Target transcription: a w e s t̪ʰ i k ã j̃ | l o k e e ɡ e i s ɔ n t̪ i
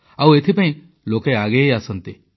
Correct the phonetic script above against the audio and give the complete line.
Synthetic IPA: a w e t̪ʰ i p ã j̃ | l o k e a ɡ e a s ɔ n t̪ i